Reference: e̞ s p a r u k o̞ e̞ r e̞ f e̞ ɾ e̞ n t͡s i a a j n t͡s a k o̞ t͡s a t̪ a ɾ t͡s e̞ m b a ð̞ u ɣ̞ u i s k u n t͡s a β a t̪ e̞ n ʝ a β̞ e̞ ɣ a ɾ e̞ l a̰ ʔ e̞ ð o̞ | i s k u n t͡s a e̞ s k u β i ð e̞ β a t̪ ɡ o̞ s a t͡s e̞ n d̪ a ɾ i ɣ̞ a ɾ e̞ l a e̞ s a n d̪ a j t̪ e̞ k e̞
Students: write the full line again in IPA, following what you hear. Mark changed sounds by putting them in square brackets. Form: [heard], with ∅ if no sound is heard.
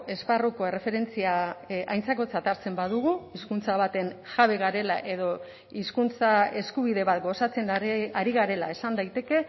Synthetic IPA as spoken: e̞ s p a r u k o̞ e̞ r e̞ f e̞ ɾ e̞ n t͡s i a a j n t͡s a k o̞ t͡s a t̪ a ɾ t͡s e̞ m b a ð̞ u ɣ̞ u i s k u n t͡s a β a t̪ e̞ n ʝ a β̞ e̞ ɣ a ɾ e̞ l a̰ ʔ e̞ ð o̞ | i s k u n t͡s a e̞ s k u β i ð e̞ β a t̪ ɡ o̞ s a t͡s e̞ n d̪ a ɾ i ɣ̞ a ɾ e̞ l a e̞ s a n d̪ a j t̪ e̞ k e̞